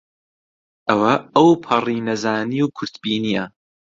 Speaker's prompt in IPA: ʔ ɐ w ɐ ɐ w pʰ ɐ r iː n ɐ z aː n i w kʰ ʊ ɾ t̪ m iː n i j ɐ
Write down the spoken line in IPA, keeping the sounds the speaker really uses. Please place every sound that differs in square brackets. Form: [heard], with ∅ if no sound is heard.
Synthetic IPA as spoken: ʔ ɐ w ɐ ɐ w pʰ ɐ r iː n ɐ z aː n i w kʰ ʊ ɾ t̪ [b] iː n i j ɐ